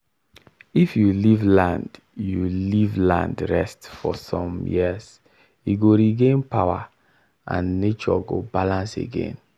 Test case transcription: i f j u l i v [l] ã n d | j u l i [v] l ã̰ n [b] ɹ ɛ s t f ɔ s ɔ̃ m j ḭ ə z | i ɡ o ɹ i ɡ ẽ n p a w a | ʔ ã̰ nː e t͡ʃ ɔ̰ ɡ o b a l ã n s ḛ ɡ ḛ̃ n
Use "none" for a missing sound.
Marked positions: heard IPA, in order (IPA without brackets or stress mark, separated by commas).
l, v, d